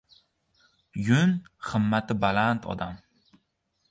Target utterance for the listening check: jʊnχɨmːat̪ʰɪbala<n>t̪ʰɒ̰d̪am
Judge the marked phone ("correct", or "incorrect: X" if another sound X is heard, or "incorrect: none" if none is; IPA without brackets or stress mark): correct